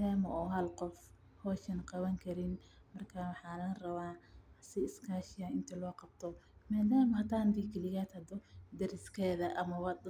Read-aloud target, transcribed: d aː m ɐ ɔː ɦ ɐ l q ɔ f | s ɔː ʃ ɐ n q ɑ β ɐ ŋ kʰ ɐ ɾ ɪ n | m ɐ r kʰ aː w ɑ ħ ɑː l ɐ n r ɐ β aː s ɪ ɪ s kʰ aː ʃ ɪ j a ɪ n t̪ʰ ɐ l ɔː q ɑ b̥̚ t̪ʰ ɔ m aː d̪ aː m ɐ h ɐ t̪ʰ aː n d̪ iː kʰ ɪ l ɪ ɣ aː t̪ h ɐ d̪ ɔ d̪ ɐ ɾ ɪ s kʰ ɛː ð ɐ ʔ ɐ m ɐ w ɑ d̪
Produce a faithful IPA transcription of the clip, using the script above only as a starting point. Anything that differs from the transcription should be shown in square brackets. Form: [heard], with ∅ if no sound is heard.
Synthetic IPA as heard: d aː m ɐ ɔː ɦ ɐ l q ɔ f | [h] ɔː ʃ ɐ n q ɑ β ɐ ŋ kʰ ɐ ɾ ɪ n | m ɐ r kʰ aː w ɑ ħ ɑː l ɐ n r ɐ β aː s ɪ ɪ s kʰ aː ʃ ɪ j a ɪ n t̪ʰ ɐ l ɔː q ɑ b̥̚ t̪ʰ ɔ m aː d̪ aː m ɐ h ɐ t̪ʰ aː n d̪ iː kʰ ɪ l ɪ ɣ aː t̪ h ɐ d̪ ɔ d̪ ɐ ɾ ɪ s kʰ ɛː ð ɐ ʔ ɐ m ɐ w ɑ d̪